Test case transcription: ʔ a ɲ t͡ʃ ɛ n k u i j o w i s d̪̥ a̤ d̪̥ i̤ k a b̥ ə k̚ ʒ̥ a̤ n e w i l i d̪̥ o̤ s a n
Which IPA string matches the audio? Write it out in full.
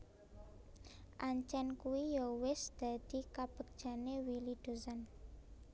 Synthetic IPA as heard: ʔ a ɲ t͡ʃ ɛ n k u i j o w ɪ s d̪̥ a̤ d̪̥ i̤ k a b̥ ə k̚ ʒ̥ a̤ n e w i l i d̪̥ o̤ s a n